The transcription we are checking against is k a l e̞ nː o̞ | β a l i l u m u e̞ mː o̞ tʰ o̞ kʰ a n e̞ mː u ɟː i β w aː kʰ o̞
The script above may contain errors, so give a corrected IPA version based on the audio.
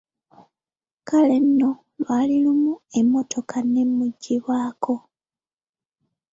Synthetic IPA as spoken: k a l e̞ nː o̞ | β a l i l u m u e̞ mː o̞ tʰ o̞ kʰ a n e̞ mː u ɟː i β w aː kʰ o̞